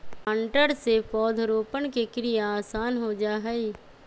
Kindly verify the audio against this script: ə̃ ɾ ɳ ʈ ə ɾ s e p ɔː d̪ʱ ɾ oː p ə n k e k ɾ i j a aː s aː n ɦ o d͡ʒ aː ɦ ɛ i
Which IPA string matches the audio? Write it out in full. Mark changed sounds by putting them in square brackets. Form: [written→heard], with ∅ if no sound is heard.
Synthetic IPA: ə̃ [ɾ→∅] ɳ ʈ ə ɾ s e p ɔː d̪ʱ ɾ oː p ə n k e k ɾ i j a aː s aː n ɦ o d͡ʒ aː ɦ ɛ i